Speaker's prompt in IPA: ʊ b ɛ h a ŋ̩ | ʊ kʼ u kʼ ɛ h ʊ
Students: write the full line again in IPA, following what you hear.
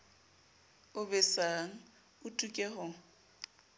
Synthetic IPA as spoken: ʊ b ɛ s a ŋ̩ | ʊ tʼ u kʼ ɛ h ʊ